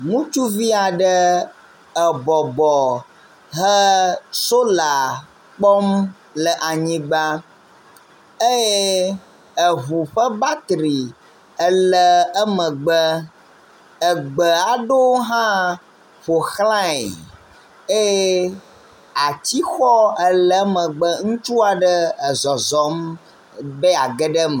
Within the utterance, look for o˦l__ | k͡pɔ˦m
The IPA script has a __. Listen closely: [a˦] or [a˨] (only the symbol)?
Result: a˨